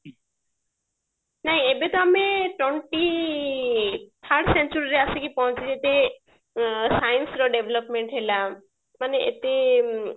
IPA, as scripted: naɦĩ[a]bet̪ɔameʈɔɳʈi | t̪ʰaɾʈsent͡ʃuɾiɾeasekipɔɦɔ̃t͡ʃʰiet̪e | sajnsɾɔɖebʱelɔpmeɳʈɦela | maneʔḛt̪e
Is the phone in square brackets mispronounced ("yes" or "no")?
yes